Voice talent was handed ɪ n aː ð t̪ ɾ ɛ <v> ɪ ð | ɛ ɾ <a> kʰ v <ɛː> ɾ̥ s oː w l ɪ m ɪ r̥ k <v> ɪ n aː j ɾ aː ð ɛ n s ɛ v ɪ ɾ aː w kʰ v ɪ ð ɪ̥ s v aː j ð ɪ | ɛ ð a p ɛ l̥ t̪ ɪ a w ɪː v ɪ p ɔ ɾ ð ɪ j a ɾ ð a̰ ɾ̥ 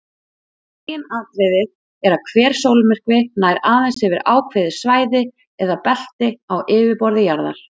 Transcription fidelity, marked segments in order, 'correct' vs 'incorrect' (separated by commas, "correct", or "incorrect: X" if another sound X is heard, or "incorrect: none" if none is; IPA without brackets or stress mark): incorrect: ð, correct, correct, correct